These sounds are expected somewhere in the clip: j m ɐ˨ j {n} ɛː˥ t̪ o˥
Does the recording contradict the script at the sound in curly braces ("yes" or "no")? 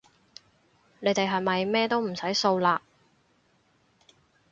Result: yes